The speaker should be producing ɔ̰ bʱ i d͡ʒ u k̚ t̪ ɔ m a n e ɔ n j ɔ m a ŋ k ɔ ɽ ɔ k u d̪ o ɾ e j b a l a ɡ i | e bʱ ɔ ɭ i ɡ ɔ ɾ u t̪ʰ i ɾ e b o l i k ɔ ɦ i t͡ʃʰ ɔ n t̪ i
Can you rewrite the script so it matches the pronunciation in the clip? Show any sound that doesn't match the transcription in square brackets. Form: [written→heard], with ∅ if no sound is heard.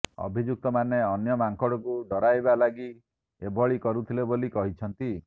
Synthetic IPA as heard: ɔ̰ bʱ i d͡ʒ u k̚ t̪ ɔ m a n e ɔ n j ɔ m a ŋ k ɔ ɽ ɔ k u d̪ [o→ɔ] ɾ [e→a] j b a l a ɡ i | e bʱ ɔ ɭ i [ɡ→k] ɔ ɾ u t̪ʰ i [ɾ→l] e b o l i k ɔ ɦ i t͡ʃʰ ɔ n t̪ i